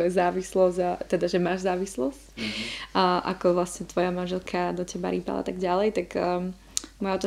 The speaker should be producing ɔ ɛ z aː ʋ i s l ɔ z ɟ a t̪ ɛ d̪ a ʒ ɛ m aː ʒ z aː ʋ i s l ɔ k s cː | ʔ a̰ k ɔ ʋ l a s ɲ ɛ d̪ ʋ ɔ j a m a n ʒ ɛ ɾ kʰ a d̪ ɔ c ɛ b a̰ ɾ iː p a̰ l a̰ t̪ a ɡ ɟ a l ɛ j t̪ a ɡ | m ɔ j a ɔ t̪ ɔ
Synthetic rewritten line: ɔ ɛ z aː ʋ i s l ɔ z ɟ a t̪ ɛ d̪ a ʒ ɛ m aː ʒ z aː ʋ i s l ɔ s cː | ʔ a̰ k ɔ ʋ l a s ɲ ɛ t̪ ʋ ɔ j a m a n ʒ ɛ l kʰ a d̪ ɔ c ɛ b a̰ ɾ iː p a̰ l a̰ t̪ a ɡ ɟ a l ɛ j t̪ a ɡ | m ɔ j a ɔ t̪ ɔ